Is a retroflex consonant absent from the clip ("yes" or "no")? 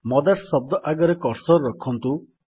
yes